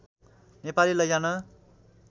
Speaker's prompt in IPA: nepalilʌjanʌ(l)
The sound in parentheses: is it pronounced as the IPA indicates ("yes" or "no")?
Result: no